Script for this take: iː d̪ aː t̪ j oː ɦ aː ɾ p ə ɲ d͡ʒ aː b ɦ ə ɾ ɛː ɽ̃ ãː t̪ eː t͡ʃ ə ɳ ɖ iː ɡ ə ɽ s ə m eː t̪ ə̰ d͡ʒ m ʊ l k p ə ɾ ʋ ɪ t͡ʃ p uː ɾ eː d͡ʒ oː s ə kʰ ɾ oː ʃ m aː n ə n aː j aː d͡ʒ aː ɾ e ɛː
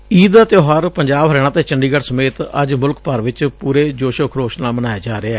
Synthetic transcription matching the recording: iː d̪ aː t̪ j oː ɦ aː ɾ p ə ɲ d͡ʒ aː b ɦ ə ɾ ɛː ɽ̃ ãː t̪ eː t͡ʃ ə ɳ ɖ iː ɡ ə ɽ s ə m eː t̪ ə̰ d͡ʒ m ʊ l k p ə ɾ ʋ ɪ t͡ʃ p uː ɾ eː d͡ʒ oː ʃ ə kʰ ɾ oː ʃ n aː m ə n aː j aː d͡ʒ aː ɾ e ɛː

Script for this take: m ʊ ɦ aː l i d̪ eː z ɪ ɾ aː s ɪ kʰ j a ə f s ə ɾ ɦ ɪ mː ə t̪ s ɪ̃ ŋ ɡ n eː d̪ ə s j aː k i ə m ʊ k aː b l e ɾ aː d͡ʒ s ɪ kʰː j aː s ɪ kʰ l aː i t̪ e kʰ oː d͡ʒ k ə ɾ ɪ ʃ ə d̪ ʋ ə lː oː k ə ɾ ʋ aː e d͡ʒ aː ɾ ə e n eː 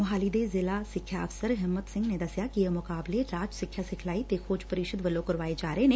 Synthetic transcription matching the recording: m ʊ ɦ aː l i d̪ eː z ɪ l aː s ɪ kʰ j a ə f s ə ɾ ɦ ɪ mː ə t̪ s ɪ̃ ŋ ɡ n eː d̪ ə s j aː k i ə m ʊ k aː b l e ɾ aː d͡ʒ s ɪ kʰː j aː s ɪ kʰ l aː i t̪ e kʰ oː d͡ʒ p ə ɾ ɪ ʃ ə d̪ ʋ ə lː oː k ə ɾ ʋ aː e d͡ʒ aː ɾ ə e n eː

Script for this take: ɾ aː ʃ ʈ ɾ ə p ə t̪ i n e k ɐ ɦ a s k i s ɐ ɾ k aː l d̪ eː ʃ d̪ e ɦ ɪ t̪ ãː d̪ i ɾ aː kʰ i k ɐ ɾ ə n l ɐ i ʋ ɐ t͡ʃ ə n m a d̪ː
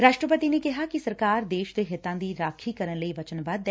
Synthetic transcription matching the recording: ɾ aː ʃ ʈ ɾ ə p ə t̪ i n e k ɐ ɦ a k i s ɐ ɾ k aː ɾ d̪ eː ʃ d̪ e ɦ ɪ t̪ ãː d̪ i ɾ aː kʰ i k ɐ ɾ ə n l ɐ i ʋ ɐ t͡ʃ ə n b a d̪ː

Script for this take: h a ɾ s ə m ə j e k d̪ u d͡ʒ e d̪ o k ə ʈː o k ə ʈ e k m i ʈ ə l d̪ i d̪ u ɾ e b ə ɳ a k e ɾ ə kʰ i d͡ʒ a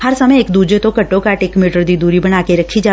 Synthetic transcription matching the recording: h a ɾ s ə m ə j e k d̪ u d͡ʒ e t̪ o k ə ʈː o k a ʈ e k m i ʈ ə ɾ d̪ i d̪ u ɾ i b ə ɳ a k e ɾ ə kʰ i d͡ʒ a

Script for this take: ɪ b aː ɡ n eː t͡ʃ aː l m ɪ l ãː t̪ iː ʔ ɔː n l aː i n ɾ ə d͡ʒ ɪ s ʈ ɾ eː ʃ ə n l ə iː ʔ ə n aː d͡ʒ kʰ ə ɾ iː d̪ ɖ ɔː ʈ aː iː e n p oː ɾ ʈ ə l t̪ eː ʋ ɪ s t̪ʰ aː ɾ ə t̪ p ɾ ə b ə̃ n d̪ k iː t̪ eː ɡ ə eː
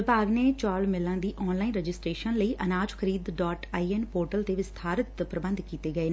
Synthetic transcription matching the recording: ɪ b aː ɡ n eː t͡ʃ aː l m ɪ l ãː d̪ iː ʔ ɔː n l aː i n ɾ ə d͡ʒ ɪ s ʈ ɾ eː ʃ ə n l ə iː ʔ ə n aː d͡ʒ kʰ ə ɾ iː d̪ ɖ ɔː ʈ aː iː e n p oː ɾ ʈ ə l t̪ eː ʋ ɪ s t̪ʰ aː ɾ ə t̪ p ɾ ə b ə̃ n d̪ k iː t̪ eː ɡ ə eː

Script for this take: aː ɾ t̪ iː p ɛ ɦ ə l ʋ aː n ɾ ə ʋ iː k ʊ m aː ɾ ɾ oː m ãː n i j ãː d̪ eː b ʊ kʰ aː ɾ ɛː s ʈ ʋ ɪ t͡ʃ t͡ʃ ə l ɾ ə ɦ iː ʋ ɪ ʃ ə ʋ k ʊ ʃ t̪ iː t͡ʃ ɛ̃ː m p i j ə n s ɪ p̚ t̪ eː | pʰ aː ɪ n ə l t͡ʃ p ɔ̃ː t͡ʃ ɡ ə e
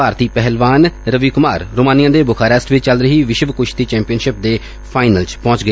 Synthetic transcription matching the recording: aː ɾ t̪ iː p ɛ ɦ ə l ʋ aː n ɾ ə ʋ iː k ʊ m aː ɾ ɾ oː m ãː n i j ãː d̪ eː b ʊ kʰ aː ɾ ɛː s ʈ ʋ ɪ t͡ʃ t͡ʃ ə l ɾ ə ɦ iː ʋ ɪ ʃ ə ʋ k ʊ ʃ t̪ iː t͡ʃ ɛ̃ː m p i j ə n ʃ ɪ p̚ d̪ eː | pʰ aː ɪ n ə l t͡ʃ p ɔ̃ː t͡ʃ ɡ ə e

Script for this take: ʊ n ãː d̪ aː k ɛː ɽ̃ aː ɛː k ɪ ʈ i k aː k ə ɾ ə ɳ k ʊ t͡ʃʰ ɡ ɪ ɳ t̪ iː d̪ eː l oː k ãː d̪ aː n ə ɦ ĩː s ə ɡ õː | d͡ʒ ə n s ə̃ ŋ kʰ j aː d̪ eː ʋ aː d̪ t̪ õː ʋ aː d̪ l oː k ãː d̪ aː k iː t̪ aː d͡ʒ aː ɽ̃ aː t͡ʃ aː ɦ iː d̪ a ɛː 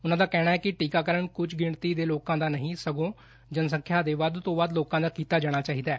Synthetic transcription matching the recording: ʊ n ãː d̪ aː k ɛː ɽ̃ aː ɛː k ɪ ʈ iː k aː k ə ɾ ə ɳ k ʊ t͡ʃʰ ɡ ɪ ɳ t̪ iː d̪ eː l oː k ãː d̪ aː n ə ɦ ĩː s ə ɡ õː | d͡ʒ ə n s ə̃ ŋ kʰ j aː d̪ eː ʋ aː d̪ t̪ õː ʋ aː d̪ l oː k ãː d̪ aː k iː t̪ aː d͡ʒ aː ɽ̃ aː t͡ʃ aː ɦ iː d̪ a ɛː

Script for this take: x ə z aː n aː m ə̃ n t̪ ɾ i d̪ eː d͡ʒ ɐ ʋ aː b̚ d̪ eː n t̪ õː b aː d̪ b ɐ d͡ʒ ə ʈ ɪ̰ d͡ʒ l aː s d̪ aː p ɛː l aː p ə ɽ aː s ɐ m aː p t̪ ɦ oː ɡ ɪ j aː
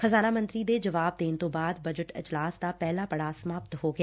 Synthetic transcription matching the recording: x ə z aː n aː m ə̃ n t̪ ɾ i d̪ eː d͡ʒ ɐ ʋ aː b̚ d̪ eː n t̪ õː b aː d̪ b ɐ d͡ʒ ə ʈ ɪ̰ d͡ʒ l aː s d̪ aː p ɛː l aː p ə ɽ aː s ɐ m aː p t̪ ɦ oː ɡ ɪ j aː

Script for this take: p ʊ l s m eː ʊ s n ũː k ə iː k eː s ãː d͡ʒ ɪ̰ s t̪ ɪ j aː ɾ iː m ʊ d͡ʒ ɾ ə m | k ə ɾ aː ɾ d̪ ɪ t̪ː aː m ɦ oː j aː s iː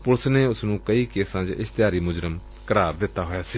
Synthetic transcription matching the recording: p ʊ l s n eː ʊ s n ũː k ə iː k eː s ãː d͡ʒ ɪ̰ s t̪ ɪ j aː ɾ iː m ʊ d͡ʒ ɾ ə m | k ə ɾ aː ɾ d̪ ɪ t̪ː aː ɦ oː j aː s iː

